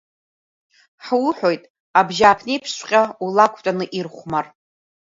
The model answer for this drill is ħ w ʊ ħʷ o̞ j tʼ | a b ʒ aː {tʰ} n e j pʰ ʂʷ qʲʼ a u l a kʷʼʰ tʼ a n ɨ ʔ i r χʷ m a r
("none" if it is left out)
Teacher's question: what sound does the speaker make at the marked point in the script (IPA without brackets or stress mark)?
pʰ